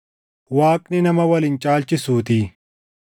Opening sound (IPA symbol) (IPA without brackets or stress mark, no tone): w